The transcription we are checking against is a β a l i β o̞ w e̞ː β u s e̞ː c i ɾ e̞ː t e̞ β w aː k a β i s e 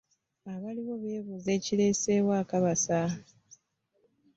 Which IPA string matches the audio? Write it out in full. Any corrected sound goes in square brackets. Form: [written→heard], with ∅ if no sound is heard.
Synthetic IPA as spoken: a β a l i β o̞ [w→β] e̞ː β u [s→z] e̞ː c i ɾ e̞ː [t→s] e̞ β w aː k a β [i→a] s [e→a]